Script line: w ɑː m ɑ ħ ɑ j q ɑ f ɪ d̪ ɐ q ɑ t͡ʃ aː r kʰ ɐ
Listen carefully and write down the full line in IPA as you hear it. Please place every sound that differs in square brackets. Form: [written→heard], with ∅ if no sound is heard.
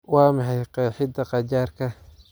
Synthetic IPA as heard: w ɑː m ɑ ħ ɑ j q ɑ [f→ħ] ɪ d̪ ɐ q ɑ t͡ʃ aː r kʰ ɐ